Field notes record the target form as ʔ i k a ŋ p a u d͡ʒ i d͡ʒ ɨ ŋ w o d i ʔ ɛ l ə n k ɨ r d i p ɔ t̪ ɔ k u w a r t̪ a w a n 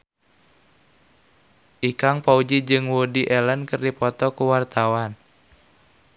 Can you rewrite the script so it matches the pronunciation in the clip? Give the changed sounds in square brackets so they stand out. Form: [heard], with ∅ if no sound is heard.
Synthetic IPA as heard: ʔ i k a ŋ p a u d͡ʒ i d͡ʒ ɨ ŋ w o d i ʔ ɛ l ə n k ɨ r d i p ɔ t̪ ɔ k u w a r t̪ a w a n